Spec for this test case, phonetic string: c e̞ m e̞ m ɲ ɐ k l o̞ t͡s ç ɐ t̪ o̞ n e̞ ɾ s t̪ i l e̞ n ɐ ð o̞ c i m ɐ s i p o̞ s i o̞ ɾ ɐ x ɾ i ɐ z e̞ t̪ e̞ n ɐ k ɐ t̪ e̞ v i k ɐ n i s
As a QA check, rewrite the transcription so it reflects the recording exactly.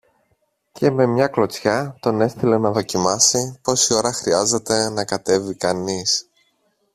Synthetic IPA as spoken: c e̞ m e̞ m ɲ ɐ k l o̞ t͡s ç ɐ t̪ o̞ n e̞ s t̪ i l e̞ n ɐ ð o̞ c i m ɐ s i p o̞ s i o̞ ɾ ɐ x ɾ i ɐ z e̞ t̪ e̞ n ɐ k ɐ t̪ e̞ v i k ɐ n i s